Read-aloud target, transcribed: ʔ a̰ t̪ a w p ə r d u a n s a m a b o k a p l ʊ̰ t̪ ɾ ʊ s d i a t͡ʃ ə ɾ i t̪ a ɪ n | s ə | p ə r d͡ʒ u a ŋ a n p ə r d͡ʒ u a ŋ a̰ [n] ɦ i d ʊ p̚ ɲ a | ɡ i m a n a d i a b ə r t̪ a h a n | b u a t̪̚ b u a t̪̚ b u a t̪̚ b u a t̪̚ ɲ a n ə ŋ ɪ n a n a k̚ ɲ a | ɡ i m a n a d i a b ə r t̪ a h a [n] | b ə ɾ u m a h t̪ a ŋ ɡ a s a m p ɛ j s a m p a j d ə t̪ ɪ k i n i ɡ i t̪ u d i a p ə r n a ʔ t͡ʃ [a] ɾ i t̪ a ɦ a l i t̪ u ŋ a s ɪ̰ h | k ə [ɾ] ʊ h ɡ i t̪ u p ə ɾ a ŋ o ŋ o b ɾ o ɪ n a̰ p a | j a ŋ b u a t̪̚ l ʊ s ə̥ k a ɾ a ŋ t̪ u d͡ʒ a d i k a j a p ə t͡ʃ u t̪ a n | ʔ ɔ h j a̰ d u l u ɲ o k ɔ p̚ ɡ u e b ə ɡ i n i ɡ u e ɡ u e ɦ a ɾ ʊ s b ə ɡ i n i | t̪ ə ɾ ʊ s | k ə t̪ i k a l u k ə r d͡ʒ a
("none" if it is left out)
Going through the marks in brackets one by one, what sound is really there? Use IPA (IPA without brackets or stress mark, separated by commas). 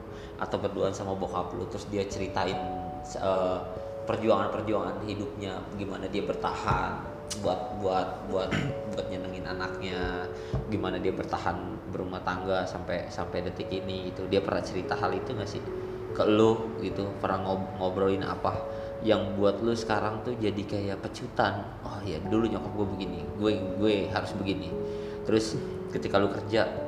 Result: n, n, ə, l